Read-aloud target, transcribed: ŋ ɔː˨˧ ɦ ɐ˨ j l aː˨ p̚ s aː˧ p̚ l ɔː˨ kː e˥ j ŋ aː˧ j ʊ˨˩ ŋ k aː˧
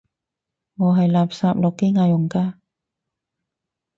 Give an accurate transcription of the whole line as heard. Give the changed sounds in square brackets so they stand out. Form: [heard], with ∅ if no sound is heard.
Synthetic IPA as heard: ŋ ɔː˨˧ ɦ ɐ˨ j l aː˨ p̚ s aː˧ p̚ l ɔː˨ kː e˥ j ŋ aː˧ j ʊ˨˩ ŋ k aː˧